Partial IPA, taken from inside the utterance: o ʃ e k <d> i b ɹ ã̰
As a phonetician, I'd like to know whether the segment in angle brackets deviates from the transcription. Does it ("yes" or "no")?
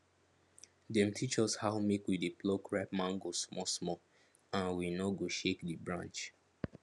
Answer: no